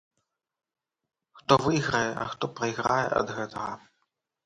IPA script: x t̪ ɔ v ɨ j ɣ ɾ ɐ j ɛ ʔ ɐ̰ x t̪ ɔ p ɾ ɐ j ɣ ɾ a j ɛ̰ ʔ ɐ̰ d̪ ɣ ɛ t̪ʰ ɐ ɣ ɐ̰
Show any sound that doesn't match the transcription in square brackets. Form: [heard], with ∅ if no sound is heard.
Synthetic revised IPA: x t̪ ɔ v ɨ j ɣ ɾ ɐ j ɛ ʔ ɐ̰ x t̪ ɔ p ɾ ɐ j ɣ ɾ a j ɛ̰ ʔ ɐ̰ d̪ ɣ ɛ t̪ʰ ɐ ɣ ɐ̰